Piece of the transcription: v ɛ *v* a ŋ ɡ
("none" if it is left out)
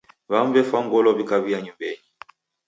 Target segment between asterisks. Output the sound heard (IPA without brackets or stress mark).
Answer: f